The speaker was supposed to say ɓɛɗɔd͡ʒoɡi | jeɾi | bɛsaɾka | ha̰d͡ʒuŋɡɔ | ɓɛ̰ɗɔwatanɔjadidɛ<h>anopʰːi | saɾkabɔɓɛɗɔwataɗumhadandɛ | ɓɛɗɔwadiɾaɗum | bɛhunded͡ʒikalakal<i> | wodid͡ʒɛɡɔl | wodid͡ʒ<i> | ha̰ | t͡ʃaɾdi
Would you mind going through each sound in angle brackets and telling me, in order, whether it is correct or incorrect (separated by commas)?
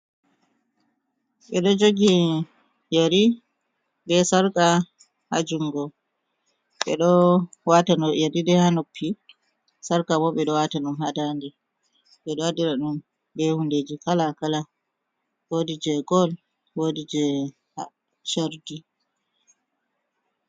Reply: correct, incorrect, incorrect